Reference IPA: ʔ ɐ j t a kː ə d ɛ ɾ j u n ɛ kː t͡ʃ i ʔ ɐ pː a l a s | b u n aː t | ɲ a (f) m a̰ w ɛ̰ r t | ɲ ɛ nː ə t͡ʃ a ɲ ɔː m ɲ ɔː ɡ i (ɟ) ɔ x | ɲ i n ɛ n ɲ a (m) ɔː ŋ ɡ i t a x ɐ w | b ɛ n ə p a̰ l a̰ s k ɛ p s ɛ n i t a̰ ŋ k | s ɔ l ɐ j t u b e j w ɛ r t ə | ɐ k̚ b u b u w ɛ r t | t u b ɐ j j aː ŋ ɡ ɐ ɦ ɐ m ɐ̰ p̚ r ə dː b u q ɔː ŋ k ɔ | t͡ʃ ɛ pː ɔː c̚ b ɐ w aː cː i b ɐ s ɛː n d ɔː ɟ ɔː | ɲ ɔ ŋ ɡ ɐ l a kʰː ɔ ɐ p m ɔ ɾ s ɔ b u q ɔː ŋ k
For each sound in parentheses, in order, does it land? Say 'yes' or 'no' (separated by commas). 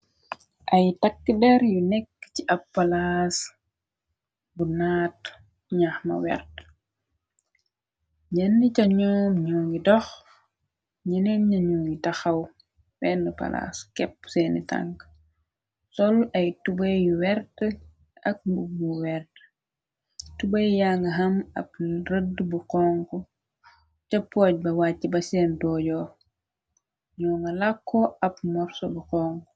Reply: no, no, no